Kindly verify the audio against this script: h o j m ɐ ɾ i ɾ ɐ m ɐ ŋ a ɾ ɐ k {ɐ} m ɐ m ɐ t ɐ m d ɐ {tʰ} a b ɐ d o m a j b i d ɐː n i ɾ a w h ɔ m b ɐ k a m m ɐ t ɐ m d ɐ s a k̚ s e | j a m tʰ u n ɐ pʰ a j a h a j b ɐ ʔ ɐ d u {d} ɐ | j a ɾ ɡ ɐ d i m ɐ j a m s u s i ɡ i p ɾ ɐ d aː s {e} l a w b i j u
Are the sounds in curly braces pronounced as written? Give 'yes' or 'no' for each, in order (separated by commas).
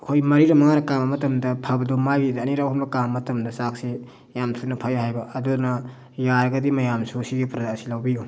no, no, no, no